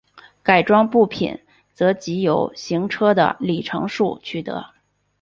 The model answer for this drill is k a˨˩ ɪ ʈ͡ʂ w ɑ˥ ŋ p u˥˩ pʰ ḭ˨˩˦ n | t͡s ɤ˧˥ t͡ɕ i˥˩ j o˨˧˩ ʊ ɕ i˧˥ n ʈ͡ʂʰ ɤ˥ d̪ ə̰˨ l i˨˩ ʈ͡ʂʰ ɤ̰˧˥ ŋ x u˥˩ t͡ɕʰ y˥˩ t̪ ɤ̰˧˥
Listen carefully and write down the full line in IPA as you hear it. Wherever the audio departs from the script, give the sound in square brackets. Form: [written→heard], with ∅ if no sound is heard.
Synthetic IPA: k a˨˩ ɪ ʈ͡ʂ w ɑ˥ ŋ p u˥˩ pʰ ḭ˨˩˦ n | t͡s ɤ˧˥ t͡ɕ [i˥˩→i˧˥] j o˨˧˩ ʊ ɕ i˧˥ [n→ŋ] ʈ͡ʂʰ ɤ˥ d̪ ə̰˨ l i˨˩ ʈ͡ʂʰ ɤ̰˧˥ ŋ [x→ʂ] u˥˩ t͡ɕʰ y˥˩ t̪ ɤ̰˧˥